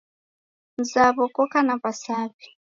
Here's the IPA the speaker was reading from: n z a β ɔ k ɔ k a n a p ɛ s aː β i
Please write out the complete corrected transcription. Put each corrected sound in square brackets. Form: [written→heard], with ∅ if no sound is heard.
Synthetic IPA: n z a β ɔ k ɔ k a n a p [ɛ→a] s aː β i